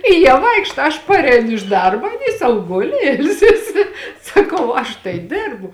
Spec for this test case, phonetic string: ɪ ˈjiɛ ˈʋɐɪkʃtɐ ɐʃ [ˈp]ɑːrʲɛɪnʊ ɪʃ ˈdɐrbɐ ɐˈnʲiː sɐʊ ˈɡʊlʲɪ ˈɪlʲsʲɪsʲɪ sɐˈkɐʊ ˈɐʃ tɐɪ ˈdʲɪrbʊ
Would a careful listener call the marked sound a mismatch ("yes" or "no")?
no